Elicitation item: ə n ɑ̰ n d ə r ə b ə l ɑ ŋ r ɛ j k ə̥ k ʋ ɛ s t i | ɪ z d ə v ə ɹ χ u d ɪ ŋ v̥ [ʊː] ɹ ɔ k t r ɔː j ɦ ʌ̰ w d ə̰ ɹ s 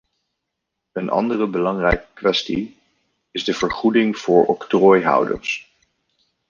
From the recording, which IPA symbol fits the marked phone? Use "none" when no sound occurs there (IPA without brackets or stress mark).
ʊː